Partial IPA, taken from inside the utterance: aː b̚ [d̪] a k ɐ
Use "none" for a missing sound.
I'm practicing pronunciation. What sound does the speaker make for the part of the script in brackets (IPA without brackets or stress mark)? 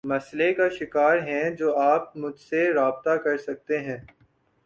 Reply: t̪